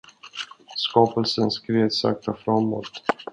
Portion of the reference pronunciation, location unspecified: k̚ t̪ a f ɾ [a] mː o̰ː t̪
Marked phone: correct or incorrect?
correct